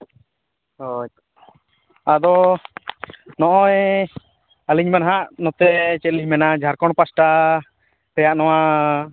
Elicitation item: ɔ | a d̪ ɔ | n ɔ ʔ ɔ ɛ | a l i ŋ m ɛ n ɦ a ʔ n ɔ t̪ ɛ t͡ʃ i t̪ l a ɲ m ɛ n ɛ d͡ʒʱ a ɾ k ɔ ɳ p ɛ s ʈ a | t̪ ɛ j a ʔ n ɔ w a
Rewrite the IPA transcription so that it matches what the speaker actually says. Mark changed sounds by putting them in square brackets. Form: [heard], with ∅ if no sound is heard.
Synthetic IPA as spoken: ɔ | a d̪ ɔ | n ɔ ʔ ɔ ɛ | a l i [ɲ] m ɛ n ɦ a ʔ n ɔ t̪ ɛ t͡ʃ [ɛ] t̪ l [i] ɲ m ɛ n [a] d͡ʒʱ a ɾ k ɔ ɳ p [a] s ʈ a | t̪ ɛ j a ʔ n ɔ w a